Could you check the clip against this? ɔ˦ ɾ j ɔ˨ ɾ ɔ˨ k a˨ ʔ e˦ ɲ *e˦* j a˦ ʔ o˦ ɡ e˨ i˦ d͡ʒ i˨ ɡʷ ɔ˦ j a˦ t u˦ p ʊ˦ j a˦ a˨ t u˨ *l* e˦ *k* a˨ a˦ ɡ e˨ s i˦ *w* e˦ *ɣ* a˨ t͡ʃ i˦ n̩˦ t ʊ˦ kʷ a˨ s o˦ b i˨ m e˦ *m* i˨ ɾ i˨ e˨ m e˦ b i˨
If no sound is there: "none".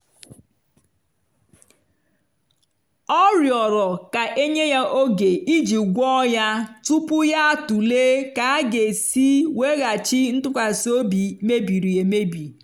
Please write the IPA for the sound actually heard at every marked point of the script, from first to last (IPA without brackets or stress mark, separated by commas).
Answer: e˦, l, k, w, ɣ, b